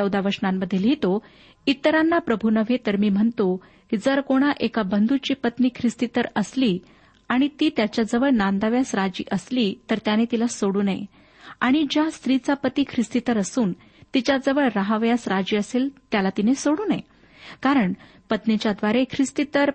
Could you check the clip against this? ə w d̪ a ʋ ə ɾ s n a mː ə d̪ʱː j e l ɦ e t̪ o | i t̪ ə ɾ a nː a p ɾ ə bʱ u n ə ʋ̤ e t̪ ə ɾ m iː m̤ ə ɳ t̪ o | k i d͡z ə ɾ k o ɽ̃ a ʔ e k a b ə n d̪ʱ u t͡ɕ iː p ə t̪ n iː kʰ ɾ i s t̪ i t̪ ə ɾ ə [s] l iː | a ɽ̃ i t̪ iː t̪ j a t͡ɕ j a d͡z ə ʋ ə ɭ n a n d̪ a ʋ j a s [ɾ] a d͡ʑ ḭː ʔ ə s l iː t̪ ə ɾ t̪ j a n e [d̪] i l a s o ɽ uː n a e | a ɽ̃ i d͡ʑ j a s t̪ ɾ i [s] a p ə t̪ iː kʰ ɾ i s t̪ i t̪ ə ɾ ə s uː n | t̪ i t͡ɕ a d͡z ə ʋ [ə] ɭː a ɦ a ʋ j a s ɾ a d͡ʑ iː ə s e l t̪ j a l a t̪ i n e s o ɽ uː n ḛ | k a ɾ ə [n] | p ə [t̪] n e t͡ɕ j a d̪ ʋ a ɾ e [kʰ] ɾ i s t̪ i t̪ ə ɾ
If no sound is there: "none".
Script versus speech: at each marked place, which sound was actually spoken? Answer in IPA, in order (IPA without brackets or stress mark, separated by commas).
s, ɾ, t̪, t͡s, ə, ɳ, t̪, kʰ